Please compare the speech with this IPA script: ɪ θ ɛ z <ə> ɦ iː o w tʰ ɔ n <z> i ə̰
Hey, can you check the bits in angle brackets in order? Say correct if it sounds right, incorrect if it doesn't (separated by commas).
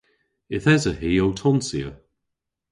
correct, incorrect